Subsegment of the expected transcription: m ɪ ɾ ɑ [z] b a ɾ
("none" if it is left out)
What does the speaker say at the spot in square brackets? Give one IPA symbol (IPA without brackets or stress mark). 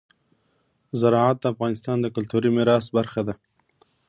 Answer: s